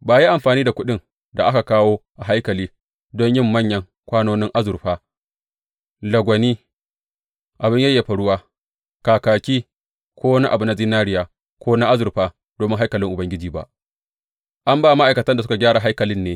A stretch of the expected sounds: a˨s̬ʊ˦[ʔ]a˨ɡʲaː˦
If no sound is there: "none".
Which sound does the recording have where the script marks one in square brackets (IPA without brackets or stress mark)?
k